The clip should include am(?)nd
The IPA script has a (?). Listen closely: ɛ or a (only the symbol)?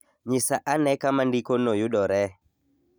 a